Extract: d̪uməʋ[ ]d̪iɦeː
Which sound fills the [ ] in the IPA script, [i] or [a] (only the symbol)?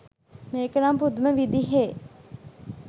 i